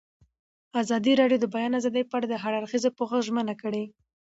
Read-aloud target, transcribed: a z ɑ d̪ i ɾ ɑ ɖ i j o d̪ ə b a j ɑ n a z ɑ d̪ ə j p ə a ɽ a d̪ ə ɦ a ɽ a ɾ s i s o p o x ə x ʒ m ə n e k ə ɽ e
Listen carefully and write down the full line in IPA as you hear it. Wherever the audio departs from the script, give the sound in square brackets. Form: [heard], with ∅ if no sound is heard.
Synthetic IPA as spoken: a z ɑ d̪ i ɾ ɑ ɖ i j o d̪ ə b a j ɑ n a z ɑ d̪ ə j p ə a ɽ a d̪ ə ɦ a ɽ a ɾ [x] i [z] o p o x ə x ʒ m ə n [a] k ə ɽ e